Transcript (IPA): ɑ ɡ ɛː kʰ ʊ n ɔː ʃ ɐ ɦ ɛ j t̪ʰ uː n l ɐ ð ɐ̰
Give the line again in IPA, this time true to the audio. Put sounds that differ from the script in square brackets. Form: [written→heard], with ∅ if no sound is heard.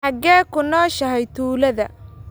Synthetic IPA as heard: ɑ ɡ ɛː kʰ ʊ n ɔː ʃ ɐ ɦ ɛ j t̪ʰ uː [n→∅] l ɐ ð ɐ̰